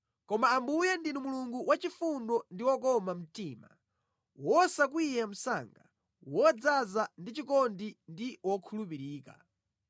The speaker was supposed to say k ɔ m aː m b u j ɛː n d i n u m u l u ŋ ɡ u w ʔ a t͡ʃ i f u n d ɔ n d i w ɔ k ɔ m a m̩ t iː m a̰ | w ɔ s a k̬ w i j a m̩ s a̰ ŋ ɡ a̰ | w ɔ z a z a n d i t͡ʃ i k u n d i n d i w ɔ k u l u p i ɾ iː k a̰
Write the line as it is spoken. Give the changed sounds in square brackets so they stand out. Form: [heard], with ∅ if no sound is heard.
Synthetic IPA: k ɔ m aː m b u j [ɛ] n d i n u m u l u ŋ ɡ u w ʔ a t͡ʃ i f u n d ɔ n d i w ɔ k ɔ m a m̩ t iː m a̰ | w ɔ s a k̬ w i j a m̩ s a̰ ŋ ɡ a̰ | w ɔ [d͡z] a z a n d i t͡ʃ i k [ɔ] n d i n d i w ɔ [kʰ] u l u p i ɾ iː k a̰